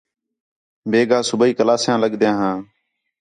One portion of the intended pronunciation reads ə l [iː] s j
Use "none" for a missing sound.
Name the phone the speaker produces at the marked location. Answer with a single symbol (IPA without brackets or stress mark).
aː